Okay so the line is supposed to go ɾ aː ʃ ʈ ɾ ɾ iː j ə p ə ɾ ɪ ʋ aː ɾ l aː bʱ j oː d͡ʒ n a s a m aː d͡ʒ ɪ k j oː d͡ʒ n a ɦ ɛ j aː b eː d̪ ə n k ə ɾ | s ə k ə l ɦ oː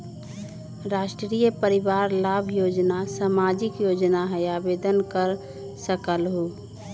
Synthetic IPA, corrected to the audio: ɾ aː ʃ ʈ ɾ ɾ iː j ə p ə ɾ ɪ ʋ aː ɾ l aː bʱ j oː d͡ʒ n a s a m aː d͡ʒ ɪ k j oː d͡ʒ n a ɦ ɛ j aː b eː d̪ ə n k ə ɾ | s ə k ə l ɦ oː